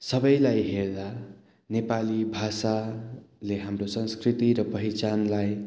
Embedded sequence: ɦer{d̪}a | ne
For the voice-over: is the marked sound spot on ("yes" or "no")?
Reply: yes